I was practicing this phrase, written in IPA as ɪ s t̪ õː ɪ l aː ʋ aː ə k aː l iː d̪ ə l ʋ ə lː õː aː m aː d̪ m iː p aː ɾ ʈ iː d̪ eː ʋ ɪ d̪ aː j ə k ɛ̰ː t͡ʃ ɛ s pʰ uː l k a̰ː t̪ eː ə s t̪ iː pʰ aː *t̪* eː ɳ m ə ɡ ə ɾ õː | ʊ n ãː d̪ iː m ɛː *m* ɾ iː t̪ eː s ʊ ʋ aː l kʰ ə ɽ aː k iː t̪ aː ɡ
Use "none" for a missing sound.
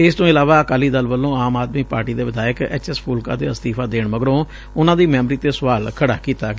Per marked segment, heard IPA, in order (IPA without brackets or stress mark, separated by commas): d̪, m